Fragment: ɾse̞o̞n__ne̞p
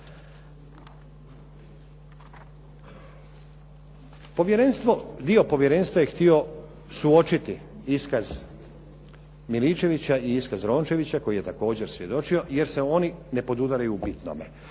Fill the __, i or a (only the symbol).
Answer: i